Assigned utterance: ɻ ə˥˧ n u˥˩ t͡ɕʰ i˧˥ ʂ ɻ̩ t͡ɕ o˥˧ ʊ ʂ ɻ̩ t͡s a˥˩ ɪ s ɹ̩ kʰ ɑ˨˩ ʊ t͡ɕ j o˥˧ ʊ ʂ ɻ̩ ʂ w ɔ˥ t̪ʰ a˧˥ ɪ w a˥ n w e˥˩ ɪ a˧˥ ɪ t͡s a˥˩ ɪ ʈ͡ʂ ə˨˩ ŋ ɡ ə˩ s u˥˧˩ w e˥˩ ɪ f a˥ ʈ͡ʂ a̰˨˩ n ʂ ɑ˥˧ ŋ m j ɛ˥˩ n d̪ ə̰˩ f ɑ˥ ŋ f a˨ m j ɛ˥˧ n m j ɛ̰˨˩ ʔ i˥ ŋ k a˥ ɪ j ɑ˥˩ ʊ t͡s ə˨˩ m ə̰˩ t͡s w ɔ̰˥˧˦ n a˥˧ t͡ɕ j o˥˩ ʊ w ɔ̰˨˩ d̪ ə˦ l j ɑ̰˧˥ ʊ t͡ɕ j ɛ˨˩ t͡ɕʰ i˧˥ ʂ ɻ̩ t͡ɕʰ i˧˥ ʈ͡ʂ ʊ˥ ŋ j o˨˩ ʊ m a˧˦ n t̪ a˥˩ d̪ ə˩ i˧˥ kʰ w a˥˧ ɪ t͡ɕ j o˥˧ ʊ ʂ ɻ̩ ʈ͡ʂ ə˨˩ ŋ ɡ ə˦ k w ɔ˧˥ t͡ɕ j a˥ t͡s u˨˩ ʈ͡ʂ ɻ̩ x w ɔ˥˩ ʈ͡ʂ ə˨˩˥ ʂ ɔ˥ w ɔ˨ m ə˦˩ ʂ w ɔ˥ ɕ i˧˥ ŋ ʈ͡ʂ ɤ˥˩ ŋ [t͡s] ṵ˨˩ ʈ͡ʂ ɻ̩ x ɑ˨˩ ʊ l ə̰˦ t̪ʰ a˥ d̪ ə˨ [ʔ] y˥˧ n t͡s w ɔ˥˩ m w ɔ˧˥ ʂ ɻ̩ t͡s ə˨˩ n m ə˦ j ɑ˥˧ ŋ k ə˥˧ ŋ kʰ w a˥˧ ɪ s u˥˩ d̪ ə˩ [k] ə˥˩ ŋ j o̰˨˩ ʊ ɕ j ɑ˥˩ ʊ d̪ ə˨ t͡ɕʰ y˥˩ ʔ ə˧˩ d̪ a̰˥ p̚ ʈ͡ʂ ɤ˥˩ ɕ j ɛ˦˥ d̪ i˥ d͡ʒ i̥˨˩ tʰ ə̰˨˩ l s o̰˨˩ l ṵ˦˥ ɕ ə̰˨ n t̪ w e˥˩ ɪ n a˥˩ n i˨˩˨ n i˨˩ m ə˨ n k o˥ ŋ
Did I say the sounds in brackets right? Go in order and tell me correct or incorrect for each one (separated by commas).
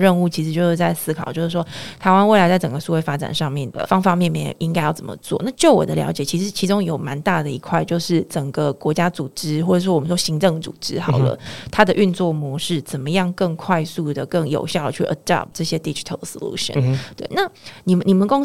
correct, correct, correct